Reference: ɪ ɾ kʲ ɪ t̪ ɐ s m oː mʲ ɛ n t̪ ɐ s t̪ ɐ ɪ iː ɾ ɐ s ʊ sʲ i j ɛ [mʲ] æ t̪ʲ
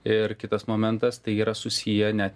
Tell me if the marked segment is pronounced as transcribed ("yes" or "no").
no